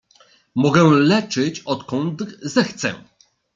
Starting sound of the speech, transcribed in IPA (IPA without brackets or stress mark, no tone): m